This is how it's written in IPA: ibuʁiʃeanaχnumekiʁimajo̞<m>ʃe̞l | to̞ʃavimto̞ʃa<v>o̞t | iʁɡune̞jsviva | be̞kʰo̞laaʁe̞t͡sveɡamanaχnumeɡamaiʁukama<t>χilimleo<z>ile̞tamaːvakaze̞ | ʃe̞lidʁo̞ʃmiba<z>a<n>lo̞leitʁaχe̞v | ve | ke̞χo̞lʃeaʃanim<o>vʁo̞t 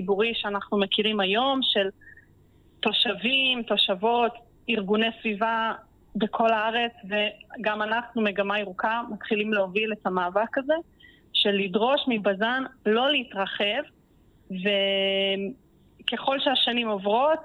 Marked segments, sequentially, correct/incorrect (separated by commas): correct, correct, correct, incorrect, correct, correct, correct